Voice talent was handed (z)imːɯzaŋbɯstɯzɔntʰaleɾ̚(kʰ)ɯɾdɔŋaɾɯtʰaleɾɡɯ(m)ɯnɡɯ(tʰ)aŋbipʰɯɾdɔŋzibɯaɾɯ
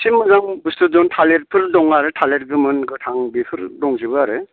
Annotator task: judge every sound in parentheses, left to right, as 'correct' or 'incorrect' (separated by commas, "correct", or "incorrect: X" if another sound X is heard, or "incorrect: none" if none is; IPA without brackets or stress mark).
incorrect: s, incorrect: pʰ, correct, correct